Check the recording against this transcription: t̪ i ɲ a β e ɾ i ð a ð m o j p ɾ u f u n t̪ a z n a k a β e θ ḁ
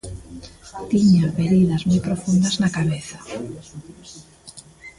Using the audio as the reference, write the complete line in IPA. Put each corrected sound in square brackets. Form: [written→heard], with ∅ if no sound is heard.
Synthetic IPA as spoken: t̪ i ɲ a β e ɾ i ð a [ð→z] m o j p ɾ [u→o] f u n [t̪→d̪] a z n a k a β e θ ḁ

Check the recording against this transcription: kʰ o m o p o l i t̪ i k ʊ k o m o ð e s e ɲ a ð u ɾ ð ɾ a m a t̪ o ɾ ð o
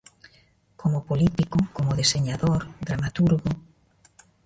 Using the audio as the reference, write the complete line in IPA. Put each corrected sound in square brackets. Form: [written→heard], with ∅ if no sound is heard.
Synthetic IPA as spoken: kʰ o m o p o l i t̪ i k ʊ k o m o ð e s e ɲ a ð [u→o] ɾ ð ɾ a m a t̪ [o→u] ɾ [ð→ɣ] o

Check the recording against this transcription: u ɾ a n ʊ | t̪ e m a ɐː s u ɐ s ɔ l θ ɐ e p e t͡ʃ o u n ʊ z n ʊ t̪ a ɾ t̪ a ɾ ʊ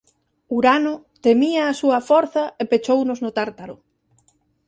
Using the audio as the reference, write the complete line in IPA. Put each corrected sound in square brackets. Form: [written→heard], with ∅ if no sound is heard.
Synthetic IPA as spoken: u ɾ a n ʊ | t̪ e m [a→i] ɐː s u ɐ [s→f] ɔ [l→ɾ] θ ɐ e p e t͡ʃ o [u→w] n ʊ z n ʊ t̪ a ɾ t̪ a ɾ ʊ

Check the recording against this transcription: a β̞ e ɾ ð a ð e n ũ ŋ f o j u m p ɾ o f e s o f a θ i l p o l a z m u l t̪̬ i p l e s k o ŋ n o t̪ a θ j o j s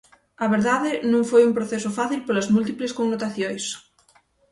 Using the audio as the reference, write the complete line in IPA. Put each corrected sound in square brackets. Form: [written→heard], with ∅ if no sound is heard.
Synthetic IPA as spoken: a β̞ e ɾ ð a ð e n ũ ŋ f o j u m p ɾ o [f→θ] e s o f a θ i l p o l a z m u l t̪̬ i p l e s k o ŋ n o t̪ a θ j o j s

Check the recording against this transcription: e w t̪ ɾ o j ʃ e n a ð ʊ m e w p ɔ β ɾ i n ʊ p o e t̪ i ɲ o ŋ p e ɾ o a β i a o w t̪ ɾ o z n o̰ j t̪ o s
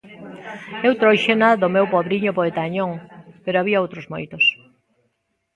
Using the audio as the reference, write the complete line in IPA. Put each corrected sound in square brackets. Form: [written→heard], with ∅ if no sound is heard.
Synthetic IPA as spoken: e w t̪ ɾ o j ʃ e n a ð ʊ m e w p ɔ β ɾ i [n→ɲ] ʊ p o e t̪ [i→a] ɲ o ŋ p e ɾ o a β i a o w t̪ ɾ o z [n→m] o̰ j t̪ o s

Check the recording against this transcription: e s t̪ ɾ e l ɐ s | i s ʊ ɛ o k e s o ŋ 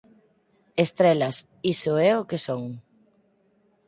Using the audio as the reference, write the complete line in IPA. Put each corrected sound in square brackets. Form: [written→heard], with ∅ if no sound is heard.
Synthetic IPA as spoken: e s t̪ ɾ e l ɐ s | i s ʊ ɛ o k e s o ŋ

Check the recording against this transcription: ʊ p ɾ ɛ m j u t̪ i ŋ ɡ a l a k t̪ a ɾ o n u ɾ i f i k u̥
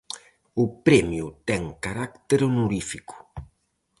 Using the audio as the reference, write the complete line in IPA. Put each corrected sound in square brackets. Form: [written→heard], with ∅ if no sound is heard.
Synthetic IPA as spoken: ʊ p ɾ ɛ m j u t̪ [i→ɛ] ŋ [ɡ→k] a [l→ɾ] a k t̪ [a→e] ɾ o n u ɾ i f i k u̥

